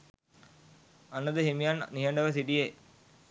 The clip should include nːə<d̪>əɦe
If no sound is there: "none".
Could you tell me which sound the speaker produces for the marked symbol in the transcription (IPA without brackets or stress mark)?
d̪